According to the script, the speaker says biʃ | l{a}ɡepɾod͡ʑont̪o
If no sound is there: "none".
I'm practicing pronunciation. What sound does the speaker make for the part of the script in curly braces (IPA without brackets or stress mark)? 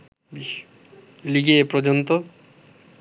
i